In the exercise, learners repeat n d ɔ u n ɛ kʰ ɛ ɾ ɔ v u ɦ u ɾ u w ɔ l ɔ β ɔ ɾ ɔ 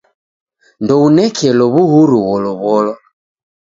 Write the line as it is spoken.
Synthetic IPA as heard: n d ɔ u n ɛ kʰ ɛ l ɔ β u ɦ u ɾ u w ɔ l ɔ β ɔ l ɔ